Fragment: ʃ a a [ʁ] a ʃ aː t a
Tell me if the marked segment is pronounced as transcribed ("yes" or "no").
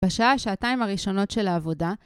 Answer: no